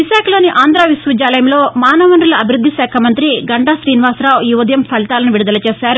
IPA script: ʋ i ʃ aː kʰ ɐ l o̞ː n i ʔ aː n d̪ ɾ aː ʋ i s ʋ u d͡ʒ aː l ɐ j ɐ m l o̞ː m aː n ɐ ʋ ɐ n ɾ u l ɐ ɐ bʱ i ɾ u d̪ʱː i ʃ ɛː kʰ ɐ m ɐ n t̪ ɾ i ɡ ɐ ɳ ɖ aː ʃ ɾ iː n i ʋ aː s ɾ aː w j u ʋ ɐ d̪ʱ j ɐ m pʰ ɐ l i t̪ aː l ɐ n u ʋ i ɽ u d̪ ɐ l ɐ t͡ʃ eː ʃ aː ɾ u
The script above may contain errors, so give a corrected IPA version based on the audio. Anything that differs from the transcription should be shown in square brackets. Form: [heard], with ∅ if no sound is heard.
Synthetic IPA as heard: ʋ i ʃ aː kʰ ɐ l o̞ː n i ʔ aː n d̪ ɾ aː ʋ i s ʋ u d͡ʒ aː l ɐ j ɐ m l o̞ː m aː n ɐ ʋ ɐ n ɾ u l ɐ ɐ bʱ i ɾ u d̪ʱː i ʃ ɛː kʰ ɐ m ɐ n t̪ ɾ i ɡ ɐ ɳ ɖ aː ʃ ɾ iː n i ʋ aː s ɾ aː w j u ʋ ɐ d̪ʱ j ɐ m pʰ ɐ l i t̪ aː l ɐ n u ʋ i ɽ u d̪ ɐ l ɐ t͡ʃ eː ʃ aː ɾ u